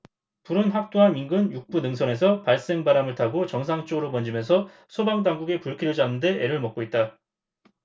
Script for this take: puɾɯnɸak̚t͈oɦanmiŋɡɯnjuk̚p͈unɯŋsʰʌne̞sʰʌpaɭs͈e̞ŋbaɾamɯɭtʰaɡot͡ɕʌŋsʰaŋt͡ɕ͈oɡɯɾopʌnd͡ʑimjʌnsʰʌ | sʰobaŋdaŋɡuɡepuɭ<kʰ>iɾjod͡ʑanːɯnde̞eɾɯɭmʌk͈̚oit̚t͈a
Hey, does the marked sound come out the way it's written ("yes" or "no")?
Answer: yes